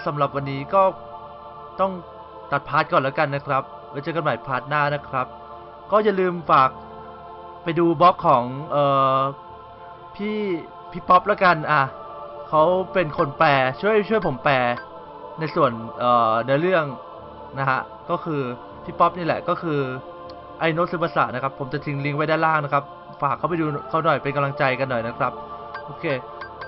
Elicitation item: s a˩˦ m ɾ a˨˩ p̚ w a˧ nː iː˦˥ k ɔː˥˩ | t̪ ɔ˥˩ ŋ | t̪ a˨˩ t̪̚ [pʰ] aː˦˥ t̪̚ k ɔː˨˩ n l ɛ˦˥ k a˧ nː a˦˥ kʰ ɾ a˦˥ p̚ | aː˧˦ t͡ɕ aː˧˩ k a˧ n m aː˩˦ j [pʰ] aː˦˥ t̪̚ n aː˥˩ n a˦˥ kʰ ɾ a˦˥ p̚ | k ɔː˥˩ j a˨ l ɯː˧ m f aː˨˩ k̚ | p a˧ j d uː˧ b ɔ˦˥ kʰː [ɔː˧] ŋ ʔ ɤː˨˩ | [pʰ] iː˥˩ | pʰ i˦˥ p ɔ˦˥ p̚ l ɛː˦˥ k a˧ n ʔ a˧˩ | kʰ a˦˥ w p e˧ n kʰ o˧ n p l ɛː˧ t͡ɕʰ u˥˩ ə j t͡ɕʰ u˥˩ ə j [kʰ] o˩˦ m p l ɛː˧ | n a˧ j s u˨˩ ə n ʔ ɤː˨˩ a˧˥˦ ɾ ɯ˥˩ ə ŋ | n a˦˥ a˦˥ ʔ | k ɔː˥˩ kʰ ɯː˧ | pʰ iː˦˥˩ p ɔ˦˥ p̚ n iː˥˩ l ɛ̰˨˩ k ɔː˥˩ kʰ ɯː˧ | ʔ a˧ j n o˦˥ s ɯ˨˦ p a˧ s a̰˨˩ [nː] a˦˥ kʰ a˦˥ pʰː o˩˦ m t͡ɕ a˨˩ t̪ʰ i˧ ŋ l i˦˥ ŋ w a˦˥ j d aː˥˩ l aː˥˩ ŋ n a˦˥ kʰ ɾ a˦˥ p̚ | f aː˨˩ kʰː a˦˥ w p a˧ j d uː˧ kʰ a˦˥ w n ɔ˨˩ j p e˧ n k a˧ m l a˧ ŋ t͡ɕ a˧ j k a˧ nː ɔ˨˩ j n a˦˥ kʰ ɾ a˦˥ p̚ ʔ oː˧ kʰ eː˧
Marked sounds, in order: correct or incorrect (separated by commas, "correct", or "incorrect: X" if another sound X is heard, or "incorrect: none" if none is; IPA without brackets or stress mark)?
correct, correct, incorrect: ɔː˩˦, correct, incorrect: pʰ, incorrect: n